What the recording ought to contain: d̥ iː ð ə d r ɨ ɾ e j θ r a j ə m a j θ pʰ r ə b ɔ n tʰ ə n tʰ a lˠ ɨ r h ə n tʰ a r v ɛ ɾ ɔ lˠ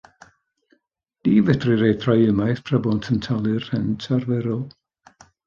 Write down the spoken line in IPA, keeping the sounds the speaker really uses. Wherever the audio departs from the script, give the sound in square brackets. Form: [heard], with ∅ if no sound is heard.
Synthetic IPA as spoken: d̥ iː [v] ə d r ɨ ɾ e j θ r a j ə m a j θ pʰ r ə b ɔ n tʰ ə n tʰ a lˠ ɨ r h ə n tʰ a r v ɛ ɾ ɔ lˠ